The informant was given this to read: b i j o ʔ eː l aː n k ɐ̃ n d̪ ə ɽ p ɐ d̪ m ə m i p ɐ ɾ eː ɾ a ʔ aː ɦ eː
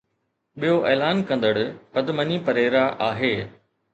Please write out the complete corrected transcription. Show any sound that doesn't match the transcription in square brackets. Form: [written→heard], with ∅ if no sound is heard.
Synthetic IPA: [b→ɓ] i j o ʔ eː l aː n k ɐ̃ n d̪ ə ɽ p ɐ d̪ m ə [m→n] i p ɐ ɾ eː ɾ a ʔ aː ɦ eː